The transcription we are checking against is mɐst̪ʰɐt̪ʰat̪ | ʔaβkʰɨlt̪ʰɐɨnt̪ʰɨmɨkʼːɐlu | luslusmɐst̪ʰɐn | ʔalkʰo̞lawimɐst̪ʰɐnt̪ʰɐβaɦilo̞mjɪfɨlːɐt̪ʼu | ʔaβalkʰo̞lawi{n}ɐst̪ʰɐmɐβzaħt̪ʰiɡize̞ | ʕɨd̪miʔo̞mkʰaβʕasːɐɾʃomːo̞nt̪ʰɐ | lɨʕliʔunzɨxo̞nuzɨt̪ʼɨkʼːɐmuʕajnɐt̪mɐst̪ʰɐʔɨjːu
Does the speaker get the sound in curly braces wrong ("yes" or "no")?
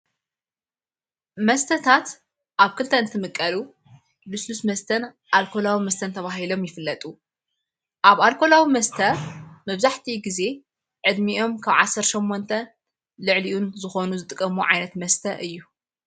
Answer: yes